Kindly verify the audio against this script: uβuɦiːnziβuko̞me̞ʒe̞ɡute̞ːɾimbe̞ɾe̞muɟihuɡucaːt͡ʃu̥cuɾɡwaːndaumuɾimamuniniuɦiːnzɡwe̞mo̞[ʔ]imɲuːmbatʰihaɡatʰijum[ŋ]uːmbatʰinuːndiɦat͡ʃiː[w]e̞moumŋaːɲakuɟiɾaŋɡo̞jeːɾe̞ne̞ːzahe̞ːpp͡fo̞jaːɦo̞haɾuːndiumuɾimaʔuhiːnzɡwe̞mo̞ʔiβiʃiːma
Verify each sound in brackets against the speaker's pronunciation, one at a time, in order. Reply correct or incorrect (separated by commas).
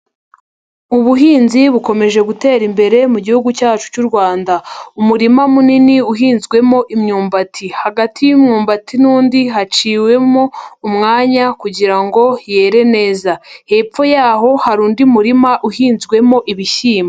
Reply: correct, incorrect, correct